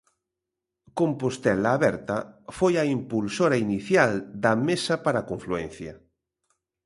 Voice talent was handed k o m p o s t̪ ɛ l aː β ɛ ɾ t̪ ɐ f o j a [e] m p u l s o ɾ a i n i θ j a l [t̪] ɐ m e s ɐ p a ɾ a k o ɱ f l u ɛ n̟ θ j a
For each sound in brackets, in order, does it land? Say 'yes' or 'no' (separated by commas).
no, no